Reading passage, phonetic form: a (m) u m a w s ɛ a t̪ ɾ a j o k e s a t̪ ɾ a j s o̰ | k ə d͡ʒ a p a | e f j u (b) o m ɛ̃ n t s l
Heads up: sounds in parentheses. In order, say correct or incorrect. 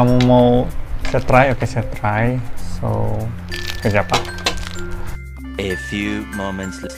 correct, incorrect: m

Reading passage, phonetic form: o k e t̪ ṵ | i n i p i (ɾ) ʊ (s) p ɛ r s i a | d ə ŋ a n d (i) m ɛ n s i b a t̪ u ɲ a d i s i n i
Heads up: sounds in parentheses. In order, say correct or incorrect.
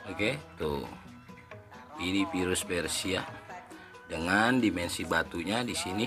correct, correct, correct

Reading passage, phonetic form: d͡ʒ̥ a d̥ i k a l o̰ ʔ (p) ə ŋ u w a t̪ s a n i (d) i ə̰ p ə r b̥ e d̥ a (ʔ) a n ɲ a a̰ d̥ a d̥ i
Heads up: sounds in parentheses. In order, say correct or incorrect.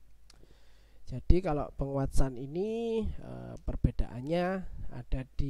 correct, incorrect: n, correct

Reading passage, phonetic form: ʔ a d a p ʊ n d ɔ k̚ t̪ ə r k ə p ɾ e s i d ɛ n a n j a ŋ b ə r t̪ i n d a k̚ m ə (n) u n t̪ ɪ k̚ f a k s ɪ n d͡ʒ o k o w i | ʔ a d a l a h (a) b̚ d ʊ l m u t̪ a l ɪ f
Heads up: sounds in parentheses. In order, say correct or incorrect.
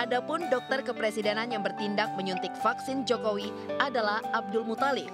incorrect: ɲ, correct

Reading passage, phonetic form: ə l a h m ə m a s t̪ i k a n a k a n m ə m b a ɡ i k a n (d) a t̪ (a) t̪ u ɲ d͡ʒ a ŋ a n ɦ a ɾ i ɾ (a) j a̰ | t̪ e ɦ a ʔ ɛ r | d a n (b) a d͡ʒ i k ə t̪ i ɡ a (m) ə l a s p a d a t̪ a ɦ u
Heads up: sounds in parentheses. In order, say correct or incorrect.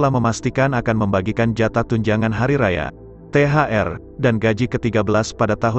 incorrect: d͡ʒ, correct, correct, incorrect: ɡ, incorrect: b

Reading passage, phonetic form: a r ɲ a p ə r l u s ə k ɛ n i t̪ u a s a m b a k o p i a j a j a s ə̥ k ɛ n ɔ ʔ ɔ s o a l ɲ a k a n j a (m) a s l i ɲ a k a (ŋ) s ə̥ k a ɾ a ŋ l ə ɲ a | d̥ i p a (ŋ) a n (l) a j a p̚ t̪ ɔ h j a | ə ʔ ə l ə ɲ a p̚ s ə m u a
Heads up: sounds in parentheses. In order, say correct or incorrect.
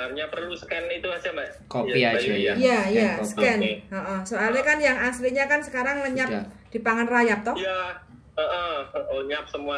incorrect: ŋ, incorrect: n, correct, incorrect: r

